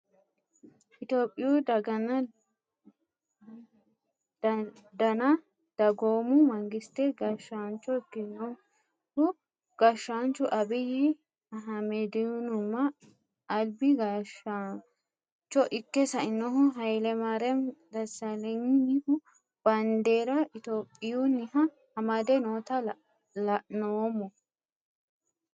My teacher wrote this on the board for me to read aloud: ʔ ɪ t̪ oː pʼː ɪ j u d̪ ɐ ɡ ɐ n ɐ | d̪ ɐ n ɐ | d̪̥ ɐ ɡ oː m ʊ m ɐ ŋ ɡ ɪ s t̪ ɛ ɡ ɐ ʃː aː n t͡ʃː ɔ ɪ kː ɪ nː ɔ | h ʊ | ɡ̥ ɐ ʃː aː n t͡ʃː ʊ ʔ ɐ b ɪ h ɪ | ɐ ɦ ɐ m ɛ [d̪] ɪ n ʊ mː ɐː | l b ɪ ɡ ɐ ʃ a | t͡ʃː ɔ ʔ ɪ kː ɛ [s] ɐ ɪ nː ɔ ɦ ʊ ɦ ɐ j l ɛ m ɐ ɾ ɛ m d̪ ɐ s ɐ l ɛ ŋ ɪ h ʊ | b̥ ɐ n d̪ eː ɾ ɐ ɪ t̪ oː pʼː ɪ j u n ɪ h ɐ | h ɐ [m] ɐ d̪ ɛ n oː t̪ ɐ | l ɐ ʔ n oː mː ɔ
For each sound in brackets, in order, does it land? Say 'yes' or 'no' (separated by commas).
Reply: yes, yes, yes